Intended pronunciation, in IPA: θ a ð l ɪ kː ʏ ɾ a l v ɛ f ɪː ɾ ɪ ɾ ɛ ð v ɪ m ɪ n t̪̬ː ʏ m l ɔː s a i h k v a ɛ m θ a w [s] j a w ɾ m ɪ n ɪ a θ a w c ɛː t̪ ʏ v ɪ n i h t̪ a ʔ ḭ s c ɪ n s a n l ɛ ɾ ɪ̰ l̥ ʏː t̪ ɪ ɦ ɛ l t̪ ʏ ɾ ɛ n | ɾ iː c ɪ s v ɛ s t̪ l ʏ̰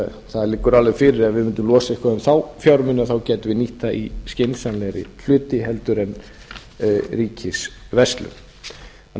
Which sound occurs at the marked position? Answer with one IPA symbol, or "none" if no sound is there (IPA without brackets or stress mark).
f